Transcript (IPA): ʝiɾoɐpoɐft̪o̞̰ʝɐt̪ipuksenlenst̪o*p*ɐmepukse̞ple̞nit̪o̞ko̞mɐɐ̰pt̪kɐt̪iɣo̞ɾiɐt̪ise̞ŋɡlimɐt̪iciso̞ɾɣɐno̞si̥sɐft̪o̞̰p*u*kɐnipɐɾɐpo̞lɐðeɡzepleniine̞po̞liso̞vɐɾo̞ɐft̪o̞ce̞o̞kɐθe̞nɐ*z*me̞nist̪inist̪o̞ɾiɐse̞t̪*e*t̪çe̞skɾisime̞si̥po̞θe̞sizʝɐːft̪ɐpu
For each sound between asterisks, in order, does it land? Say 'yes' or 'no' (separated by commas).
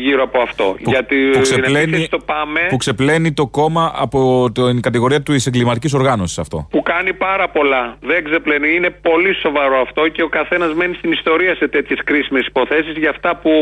yes, yes, yes, yes